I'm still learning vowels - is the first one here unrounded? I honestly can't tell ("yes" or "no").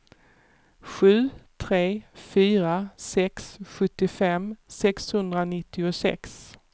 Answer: no